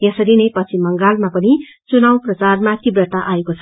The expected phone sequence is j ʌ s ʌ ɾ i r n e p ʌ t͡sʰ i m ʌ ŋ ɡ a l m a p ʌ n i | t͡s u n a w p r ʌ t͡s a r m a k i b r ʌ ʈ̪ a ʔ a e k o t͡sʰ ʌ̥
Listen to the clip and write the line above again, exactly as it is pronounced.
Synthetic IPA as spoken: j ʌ s ʌ ɾ i n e p ʌ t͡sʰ i m ʌ ŋ ɡ a l m a p ʌ n i | t͡s u n a w p r ʌ t͡s a r m a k i b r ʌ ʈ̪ a ʔ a e k o t͡sʰ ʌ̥